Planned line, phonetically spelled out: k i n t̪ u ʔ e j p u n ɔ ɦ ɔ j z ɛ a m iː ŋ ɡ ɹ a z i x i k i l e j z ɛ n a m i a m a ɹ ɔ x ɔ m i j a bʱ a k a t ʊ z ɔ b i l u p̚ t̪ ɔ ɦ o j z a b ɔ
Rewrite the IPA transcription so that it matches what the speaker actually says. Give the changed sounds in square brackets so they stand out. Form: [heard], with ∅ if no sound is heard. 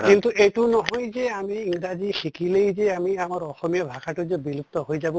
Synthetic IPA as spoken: k i n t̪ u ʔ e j [t] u n ɔ ɦ ɔ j z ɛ a m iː ŋ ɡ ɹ a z i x i k i l e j z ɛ [∅] a m i a m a ɹ ɔ x ɔ m i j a bʱ a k a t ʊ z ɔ b i l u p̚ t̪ ɔ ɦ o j z a b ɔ